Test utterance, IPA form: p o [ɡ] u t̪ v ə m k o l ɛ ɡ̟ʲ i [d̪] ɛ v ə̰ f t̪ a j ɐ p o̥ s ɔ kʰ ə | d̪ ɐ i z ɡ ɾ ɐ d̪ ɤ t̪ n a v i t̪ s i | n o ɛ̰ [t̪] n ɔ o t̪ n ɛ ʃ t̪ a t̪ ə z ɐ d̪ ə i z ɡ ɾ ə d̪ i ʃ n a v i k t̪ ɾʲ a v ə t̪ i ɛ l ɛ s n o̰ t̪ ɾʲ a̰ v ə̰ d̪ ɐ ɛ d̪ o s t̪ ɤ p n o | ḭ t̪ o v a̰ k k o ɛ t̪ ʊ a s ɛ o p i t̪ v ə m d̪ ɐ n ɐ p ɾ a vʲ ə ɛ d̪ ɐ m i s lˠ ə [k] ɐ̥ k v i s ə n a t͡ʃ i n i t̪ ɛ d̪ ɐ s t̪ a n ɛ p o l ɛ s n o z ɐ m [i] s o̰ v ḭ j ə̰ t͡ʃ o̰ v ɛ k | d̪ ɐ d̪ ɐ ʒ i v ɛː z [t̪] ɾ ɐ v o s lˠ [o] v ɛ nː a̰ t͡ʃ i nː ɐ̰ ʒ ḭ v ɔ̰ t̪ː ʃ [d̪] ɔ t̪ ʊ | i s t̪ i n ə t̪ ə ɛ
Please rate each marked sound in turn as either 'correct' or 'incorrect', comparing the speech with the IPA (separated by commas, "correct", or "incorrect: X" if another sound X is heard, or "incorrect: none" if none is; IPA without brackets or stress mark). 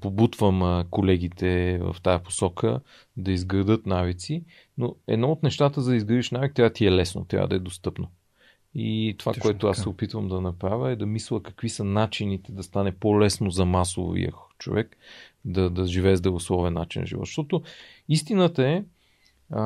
incorrect: b, incorrect: t̪, incorrect: d̪, correct, incorrect: a, incorrect: d̪, incorrect: ɔ, incorrect: t̪